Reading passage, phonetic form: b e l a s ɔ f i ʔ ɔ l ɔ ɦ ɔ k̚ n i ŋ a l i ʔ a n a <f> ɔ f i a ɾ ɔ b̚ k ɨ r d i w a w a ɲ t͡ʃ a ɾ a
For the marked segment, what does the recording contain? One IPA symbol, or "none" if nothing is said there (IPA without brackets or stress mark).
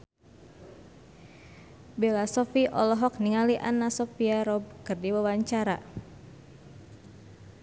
s